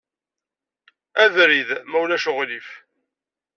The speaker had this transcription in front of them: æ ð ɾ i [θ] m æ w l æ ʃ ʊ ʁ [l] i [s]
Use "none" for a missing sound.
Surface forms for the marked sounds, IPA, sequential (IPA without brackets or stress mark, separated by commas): ð, l, f